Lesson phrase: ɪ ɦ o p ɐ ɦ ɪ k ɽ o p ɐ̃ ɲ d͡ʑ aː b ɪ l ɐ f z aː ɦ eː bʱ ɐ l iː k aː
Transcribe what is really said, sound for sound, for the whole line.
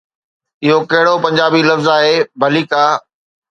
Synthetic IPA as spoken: ɪ ɦ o k ɐ ɦ ɪ ɽ o p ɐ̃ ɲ d͡ʑ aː b i l ɐ f z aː ɦ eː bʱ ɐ l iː k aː

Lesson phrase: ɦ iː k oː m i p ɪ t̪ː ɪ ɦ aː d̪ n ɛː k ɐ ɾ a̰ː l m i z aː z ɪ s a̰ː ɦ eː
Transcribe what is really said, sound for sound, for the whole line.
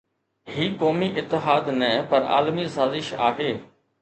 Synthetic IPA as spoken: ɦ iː k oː m i ʔ ɪ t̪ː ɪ ɦ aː d̪ n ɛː p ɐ ɾ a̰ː l m i s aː z ɪ ʃ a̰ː ɦ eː

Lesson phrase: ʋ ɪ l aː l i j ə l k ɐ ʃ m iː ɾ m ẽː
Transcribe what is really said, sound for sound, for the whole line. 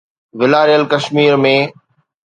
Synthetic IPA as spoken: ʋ ɪ l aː ɾ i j ə l k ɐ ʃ m iː ɾ m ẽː

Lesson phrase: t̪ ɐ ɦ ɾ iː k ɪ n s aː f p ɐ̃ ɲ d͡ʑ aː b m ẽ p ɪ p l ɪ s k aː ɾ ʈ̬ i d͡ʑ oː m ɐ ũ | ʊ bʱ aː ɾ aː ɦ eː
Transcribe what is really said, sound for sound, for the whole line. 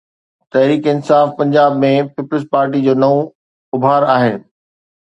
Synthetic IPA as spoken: t̪ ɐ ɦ ɾ iː k ɪ n s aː f p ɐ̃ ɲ d͡ʑ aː b m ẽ p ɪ p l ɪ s p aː ɾ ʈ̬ i d͡ʑ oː n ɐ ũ | ʊ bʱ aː ɾ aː ɦ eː

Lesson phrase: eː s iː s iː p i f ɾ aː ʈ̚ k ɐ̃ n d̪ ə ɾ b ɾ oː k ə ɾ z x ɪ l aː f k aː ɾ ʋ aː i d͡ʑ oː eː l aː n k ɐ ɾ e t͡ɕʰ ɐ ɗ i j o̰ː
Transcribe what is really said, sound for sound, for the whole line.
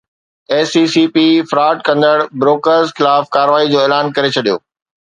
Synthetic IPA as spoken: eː s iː s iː p i f ɾ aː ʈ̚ k ɐ̃ n d̪ ə ɽ b ɾ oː k ə ɾ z x ɪ l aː f k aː ɾ ʋ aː i d͡ʑ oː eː l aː n k ɐ ɾ e t͡ɕʰ ɐ ɗ i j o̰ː

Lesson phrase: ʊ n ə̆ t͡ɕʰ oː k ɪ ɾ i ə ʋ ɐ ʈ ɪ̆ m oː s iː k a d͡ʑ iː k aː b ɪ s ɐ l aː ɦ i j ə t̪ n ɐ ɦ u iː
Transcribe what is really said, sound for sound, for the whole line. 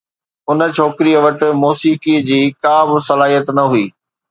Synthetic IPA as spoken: ʊ n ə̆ t͡ɕʰ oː k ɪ ɾ i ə ʋ ɐ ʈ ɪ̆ m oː s iː k i d͡ʑ iː k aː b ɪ s ɐ l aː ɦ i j ə t̪ n ɐ ɦ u iː

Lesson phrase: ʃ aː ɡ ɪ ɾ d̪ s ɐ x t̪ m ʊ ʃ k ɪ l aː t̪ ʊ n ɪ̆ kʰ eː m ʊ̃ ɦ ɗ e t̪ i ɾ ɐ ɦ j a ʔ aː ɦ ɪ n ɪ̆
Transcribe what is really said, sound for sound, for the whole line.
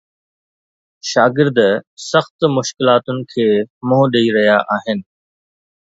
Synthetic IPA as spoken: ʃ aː ɡ ɪ ɾ d̪ s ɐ x t̪ m ʊ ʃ k ɪ l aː t̪ ʊ n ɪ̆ kʰ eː m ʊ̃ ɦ ɗ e i ɾ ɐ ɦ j a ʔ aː ɦ ɪ n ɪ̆

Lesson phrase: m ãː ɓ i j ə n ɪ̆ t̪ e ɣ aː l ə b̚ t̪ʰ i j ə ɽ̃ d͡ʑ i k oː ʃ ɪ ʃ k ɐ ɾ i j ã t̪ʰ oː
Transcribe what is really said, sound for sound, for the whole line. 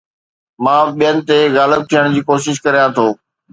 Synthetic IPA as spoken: m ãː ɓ i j ə n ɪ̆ t̪ e ɣ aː l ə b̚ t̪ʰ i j ə ɽ̃ d͡ʑ iː k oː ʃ ɪ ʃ k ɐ ɾ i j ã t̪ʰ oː

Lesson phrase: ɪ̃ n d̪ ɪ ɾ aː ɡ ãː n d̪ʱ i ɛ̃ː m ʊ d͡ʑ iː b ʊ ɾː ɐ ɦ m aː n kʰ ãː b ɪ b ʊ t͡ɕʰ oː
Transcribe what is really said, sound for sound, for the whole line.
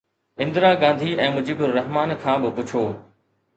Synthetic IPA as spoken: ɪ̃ n d̪ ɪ ɾ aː ɡ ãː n d̪ʱ i ɛ̃ː m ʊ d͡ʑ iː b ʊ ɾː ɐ ɦ m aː n kʰ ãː b ɪ p ʊ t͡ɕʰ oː

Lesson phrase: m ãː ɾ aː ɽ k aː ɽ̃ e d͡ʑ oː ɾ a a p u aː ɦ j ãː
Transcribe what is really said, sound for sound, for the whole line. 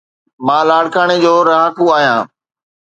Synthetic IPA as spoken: m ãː l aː ɽ k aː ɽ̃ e d͡ʑ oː ɾ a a k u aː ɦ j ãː

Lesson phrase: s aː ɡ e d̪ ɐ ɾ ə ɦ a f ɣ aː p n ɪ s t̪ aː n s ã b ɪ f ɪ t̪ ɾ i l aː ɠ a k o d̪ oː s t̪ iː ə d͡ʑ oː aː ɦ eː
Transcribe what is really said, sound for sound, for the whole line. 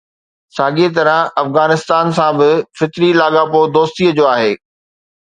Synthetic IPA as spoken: s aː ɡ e t̪ ɐ ɾ ə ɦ ɐ f ɣ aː n ɪ s t̪ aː n s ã b ɪ f ɪ t̪ ɾ i l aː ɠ a p o d̪ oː s t̪ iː ə d͡ʑ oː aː ɦ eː

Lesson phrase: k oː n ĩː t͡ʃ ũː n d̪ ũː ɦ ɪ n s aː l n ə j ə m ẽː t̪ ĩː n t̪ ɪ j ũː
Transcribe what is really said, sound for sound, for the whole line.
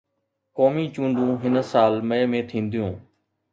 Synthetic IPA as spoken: k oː m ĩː t͡ʃ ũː n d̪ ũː ɦ ɪ n s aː l m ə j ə m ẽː t̪ʰ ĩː n d̪ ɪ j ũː

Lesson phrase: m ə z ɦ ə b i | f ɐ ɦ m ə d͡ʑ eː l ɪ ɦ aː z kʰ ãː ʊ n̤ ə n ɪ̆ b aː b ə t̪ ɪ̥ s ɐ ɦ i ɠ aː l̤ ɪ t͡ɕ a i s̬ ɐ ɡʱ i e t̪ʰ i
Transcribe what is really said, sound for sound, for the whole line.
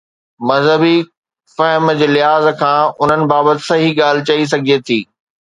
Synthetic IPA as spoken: m ɐ z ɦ ə b i | f ɐ ɦ m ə d͡ʑ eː l ɪ ɦ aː z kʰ ãː ʊ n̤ ə n ɪ̆ b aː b ə t̪ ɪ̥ s ɐ ɦ i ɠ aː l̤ ɪ t͡ɕ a i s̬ ɐ ɡʱ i e t̪ʰ iː

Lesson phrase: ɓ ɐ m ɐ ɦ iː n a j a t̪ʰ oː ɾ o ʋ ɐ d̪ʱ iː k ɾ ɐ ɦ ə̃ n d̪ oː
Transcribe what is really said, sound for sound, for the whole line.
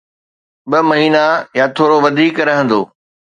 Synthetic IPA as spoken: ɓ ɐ m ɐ ɦ iː n a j a t̪ʰ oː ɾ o ʋ ɐ d̪ʱ iː k ɾ ɐ ɦ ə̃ n d̪ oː

